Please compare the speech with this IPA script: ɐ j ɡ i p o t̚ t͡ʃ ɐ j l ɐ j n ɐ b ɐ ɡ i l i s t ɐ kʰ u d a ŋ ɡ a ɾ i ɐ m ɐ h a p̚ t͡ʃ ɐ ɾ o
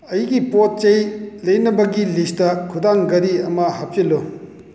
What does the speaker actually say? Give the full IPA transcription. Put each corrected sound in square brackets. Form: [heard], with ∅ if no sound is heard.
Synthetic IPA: ɐ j ɡ i p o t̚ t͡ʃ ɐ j l ɐ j n ɐ b ɐ ɡ i l i s t ɐ kʰ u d a ŋ ɡ [ɐ] ɾ i ɐ m ɐ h a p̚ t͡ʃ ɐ [l] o